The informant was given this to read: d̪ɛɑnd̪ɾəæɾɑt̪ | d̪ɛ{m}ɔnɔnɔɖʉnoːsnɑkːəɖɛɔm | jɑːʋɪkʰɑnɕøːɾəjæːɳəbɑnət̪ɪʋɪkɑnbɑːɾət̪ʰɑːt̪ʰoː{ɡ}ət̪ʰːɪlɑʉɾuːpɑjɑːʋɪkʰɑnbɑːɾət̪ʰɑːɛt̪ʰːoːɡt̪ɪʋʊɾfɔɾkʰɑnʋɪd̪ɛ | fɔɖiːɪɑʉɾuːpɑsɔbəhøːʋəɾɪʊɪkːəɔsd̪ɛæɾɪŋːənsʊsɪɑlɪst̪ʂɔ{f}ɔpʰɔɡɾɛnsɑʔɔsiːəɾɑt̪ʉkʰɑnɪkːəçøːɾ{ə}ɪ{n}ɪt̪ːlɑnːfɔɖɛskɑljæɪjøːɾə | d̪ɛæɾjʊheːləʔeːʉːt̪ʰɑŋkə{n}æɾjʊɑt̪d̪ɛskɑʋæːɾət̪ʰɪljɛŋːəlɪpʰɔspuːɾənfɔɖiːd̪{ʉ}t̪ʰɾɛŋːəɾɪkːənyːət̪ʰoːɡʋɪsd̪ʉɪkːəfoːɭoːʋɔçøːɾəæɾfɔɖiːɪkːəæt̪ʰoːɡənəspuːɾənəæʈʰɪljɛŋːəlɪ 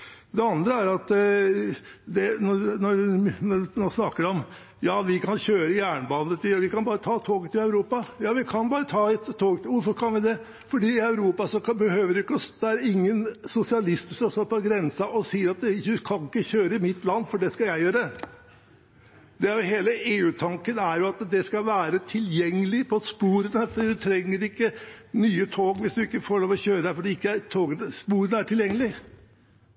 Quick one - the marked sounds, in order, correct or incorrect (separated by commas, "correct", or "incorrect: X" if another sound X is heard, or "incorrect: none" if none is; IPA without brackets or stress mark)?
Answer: incorrect: n, correct, incorrect: s, correct, incorrect: m, correct, correct